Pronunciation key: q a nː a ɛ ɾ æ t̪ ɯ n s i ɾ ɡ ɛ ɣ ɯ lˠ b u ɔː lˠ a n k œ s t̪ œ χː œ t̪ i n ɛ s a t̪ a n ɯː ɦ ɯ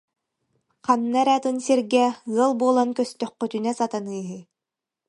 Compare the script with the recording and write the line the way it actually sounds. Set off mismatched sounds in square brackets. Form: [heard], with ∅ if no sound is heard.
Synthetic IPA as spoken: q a nː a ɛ ɾ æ t̪ ɯ n s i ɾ ɡ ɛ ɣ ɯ lˠ b u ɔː lˠ a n k œ s t̪ œ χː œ t̪ [y] n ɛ s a t̪ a n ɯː ɦ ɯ